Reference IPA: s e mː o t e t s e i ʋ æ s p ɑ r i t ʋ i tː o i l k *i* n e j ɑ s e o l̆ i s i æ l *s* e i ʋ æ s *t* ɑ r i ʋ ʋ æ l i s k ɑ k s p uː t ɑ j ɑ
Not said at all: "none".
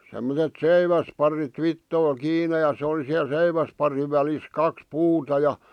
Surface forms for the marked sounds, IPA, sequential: iː, s, p

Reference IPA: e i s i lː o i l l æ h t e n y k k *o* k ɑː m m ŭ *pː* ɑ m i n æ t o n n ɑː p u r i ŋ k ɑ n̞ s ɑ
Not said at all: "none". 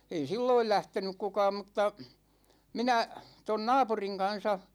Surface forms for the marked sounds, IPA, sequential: u, tː

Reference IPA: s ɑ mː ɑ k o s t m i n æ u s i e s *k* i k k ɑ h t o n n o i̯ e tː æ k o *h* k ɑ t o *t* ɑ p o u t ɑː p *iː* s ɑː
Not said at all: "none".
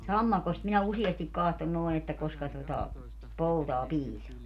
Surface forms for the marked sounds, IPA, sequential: t, s, t, iː

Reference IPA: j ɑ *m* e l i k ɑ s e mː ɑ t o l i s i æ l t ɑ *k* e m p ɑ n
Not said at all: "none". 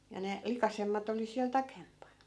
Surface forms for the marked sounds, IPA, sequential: n, k

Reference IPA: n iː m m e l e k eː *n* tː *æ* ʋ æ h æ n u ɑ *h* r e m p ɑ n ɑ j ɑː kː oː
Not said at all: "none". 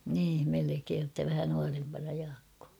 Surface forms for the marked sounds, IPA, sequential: n, æ, none

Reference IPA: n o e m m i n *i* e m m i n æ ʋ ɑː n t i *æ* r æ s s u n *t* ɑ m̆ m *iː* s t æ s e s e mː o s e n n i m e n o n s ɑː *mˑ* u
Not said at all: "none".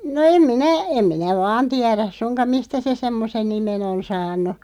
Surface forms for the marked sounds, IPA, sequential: æ, æ, k, i, nˑ

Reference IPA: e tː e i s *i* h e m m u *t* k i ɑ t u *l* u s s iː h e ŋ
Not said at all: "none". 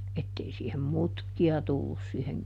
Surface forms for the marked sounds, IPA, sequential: iː, t, lː

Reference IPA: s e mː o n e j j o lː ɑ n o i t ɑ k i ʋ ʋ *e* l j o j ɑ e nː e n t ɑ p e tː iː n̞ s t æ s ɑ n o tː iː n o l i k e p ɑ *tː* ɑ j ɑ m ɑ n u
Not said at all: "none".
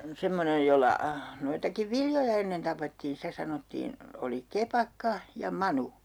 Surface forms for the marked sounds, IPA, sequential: i, kː

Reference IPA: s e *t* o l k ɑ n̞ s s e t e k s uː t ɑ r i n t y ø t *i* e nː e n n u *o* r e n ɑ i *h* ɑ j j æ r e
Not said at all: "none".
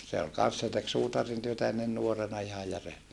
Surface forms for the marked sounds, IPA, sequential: none, æ, o, h

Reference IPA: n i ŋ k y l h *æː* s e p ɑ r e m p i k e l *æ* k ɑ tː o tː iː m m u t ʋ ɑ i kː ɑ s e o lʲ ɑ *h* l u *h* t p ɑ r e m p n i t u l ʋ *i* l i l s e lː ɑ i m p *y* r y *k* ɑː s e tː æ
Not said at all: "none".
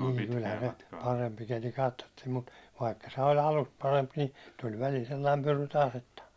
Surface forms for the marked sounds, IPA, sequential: æ, i, none, s, æ, y, t

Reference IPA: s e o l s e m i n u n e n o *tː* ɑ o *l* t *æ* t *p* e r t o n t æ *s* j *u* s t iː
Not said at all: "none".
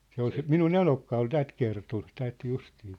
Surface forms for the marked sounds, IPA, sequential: kː, l, æ, k, t, u

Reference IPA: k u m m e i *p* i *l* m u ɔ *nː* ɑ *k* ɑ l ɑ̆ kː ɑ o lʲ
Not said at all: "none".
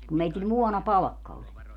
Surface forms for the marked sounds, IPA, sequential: t, l, n, p

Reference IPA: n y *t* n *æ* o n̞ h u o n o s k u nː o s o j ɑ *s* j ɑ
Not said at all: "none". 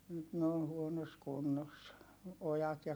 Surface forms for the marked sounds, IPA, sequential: t, e, t

